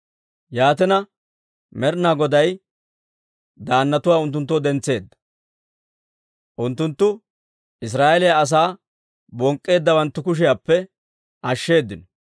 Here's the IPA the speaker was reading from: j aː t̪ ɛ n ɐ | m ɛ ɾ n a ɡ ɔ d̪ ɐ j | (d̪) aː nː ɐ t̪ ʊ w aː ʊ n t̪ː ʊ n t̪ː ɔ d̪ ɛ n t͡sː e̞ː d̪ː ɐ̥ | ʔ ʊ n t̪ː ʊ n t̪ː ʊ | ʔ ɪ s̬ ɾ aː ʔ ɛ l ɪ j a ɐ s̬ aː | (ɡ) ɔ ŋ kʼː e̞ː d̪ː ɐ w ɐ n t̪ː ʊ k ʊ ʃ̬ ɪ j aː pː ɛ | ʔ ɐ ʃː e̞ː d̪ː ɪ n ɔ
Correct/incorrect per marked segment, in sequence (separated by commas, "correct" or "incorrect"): correct, incorrect